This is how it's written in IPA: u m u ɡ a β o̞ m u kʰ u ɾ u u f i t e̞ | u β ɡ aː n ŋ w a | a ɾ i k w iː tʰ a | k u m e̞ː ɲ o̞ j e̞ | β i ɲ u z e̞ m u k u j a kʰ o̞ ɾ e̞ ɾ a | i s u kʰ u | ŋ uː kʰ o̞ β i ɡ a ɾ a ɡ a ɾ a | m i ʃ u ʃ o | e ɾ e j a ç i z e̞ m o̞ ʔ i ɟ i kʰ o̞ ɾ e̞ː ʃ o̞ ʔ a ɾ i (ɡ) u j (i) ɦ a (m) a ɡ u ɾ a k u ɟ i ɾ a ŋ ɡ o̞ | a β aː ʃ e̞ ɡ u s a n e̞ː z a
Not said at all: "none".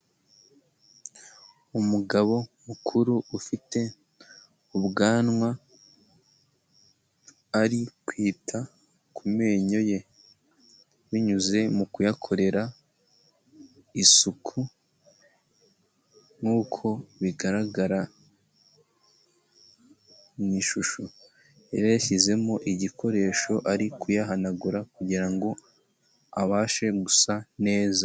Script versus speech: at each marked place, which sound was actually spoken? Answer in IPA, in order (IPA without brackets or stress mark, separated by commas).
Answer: k, a, n